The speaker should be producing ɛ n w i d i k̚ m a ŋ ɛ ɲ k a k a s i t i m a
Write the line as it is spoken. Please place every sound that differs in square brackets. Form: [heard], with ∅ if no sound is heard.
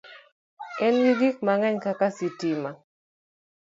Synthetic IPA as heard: ɛ n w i [ɡ] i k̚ m a ŋ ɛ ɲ k a k a s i t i m a